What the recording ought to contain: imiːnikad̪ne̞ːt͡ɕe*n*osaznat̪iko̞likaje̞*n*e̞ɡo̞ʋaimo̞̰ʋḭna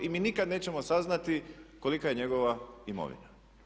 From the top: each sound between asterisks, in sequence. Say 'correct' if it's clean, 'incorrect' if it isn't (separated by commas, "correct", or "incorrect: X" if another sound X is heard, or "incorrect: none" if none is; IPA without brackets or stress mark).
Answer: incorrect: m, incorrect: ɲ